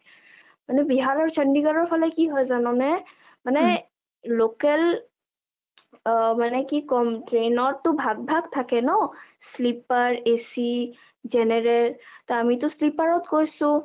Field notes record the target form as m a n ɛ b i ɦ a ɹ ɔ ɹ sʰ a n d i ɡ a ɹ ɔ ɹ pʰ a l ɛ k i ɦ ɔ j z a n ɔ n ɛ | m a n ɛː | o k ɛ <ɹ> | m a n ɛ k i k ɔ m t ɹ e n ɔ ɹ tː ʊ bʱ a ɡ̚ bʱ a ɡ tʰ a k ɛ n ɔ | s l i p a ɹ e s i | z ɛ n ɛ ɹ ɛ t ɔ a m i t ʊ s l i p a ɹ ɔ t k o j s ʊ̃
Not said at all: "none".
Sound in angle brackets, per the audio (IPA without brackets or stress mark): l